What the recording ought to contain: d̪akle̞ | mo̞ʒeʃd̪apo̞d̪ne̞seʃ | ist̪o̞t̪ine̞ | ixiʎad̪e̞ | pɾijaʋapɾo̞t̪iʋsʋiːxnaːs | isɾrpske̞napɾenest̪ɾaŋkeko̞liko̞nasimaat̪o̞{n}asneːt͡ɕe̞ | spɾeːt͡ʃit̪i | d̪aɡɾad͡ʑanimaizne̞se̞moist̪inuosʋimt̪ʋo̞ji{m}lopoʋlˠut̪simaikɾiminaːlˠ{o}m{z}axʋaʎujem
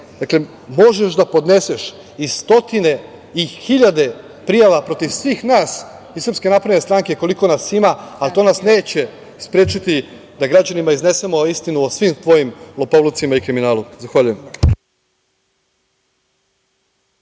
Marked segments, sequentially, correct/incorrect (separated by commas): correct, correct, incorrect, correct